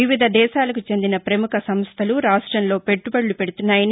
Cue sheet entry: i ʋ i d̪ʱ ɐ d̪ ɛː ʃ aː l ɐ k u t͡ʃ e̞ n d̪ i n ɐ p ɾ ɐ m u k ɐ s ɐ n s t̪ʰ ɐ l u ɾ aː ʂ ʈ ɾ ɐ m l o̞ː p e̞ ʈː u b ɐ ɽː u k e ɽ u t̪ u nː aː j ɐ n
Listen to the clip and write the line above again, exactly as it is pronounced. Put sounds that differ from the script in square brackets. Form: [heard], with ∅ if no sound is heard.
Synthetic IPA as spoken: i ʋ i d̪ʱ ɐ d̪ ɛː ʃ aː l ɐ k u t͡ʃ e̞ n d̪ i n ɐ p ɾ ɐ m u k ɐ s ɐ [m] s t̪ʰ ɐ l u ɾ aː ʂ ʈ ɾ ɐ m l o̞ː p e̞ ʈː u b ɐ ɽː u [p] e ɽ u t̪ u nː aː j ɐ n